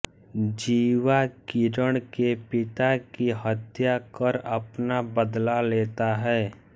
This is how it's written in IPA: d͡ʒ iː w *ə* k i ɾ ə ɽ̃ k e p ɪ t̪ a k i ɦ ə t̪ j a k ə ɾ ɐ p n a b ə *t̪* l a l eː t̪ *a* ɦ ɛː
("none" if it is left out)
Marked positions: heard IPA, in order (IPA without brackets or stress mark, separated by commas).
a, d̪, a